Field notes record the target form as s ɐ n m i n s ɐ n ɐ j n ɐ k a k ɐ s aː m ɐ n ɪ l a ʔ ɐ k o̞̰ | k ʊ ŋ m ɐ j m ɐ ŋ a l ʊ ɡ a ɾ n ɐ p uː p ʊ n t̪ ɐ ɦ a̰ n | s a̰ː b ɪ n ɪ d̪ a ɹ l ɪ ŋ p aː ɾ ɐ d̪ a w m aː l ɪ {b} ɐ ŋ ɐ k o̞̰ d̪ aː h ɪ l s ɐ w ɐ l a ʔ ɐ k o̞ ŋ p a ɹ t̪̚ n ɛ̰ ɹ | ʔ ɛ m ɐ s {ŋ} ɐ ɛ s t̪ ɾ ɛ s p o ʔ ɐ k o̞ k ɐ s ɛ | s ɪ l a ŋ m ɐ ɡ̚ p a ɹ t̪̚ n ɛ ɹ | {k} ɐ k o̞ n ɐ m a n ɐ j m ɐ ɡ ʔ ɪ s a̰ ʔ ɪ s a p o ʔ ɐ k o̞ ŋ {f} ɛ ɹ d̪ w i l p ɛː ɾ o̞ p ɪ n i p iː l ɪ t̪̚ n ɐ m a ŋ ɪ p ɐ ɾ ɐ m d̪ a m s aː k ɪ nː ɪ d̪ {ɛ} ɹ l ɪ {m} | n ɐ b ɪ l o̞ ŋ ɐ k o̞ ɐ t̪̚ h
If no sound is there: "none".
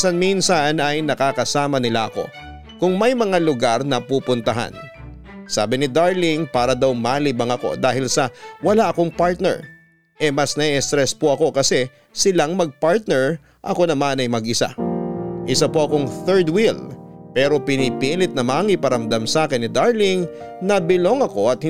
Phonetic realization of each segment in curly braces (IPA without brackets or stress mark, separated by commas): b, n, ʔ, θ, a, ŋ